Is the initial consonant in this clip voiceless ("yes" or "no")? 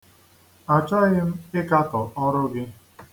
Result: yes